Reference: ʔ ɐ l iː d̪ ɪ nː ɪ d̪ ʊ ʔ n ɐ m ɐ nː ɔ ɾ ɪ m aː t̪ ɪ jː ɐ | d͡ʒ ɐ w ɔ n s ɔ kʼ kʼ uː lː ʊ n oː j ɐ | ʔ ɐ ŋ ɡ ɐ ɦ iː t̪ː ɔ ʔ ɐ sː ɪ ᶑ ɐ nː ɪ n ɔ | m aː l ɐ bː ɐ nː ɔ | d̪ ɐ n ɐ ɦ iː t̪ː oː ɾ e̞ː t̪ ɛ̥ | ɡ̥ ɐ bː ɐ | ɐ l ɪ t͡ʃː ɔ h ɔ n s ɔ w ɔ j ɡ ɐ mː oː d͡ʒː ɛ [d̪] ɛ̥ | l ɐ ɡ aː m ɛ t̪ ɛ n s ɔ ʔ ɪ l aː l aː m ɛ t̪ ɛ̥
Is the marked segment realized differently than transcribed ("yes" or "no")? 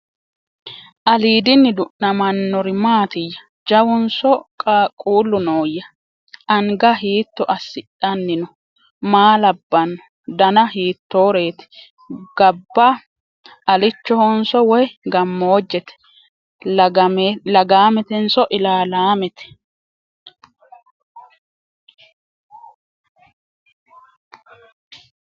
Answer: yes